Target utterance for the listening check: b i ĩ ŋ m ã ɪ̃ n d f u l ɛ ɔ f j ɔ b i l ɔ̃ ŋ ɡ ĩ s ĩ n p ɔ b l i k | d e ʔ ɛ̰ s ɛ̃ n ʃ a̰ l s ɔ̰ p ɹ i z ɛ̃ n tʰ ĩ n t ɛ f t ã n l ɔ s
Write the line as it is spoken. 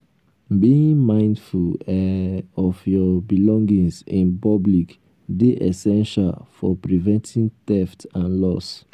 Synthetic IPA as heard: b i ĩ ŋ m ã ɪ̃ n d f u l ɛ ɔ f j ɔ b i l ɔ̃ ŋ ɡ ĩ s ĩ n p ɔ b l i k | d e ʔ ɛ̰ s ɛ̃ n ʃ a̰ l f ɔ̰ p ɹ i v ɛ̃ n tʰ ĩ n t ɛ f t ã n l ɔ s